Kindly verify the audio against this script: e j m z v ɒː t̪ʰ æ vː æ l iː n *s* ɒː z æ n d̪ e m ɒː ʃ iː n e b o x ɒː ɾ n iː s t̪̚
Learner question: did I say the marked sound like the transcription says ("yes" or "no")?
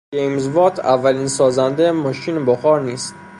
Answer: yes